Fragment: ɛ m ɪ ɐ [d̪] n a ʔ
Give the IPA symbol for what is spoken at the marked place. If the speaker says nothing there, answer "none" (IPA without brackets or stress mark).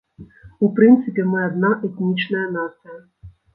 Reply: d̪